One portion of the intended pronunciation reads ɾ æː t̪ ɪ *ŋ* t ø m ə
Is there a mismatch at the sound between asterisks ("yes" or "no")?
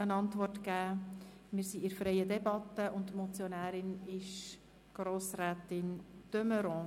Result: yes